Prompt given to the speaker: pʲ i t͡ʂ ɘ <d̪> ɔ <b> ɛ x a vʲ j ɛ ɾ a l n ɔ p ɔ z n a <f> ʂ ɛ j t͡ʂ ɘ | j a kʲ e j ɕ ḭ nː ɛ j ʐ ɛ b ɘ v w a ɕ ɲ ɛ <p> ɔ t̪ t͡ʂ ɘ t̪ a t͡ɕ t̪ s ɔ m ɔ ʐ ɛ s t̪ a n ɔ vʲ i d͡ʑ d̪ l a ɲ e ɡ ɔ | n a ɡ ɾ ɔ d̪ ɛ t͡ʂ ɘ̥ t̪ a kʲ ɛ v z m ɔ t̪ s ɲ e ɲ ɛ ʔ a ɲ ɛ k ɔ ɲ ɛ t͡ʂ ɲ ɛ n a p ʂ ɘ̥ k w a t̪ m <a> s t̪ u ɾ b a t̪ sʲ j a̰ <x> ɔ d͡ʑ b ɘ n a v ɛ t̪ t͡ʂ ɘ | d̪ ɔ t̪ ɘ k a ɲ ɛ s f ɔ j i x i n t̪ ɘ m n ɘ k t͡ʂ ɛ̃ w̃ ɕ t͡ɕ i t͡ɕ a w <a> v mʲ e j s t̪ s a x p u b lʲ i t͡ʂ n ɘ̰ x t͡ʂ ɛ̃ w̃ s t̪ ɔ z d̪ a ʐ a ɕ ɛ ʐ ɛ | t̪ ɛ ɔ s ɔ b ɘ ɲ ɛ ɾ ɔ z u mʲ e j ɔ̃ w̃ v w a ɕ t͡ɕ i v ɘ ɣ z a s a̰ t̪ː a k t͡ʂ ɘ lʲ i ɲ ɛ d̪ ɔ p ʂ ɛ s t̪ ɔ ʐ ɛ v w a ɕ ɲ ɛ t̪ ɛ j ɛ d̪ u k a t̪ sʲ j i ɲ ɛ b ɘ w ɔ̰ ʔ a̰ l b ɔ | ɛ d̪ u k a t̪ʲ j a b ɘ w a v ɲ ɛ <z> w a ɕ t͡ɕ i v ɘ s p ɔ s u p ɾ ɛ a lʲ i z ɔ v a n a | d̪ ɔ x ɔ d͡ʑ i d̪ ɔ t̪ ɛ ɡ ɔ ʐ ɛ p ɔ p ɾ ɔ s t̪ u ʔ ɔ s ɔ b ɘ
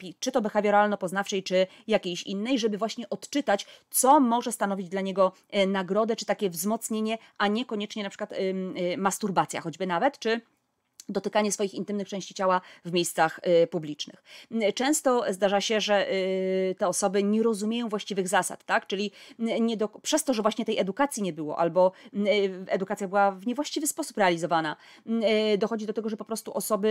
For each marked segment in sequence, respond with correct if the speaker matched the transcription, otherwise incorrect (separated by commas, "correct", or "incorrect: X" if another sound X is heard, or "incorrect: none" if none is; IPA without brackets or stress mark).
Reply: incorrect: t̪, correct, correct, incorrect: ʔ, correct, correct, correct, incorrect: v